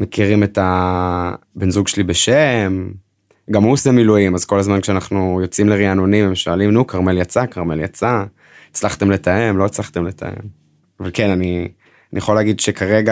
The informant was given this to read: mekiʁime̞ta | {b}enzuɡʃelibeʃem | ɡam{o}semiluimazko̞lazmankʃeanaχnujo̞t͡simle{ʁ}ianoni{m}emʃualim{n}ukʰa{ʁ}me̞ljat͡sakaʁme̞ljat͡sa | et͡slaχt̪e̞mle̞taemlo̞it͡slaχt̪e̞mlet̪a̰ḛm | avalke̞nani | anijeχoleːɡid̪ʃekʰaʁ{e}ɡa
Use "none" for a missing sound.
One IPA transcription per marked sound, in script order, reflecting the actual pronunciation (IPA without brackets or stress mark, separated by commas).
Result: b, u, ʁ, m, n, ʁ, e